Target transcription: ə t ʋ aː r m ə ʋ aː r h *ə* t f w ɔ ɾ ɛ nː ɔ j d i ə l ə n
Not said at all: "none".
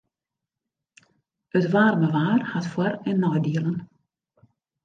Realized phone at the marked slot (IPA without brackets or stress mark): a